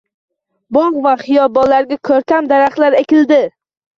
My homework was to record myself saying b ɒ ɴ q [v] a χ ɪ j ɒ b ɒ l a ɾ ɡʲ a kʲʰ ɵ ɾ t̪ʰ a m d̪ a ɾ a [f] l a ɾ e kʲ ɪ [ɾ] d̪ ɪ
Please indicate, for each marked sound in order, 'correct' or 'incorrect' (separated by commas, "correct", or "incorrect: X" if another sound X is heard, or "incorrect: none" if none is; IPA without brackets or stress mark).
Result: correct, incorrect: χ, incorrect: l